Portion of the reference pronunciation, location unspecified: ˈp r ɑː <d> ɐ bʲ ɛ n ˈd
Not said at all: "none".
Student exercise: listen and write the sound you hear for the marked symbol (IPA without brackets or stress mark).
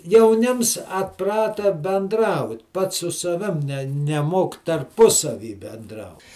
t